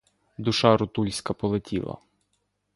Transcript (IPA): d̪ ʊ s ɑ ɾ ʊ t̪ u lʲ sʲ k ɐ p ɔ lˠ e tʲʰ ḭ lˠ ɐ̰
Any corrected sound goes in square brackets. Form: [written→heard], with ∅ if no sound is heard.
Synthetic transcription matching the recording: d̪ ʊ [s→ʃ] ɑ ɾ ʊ t̪ u lʲ sʲ k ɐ p ɔ lˠ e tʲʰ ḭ lˠ ɐ̰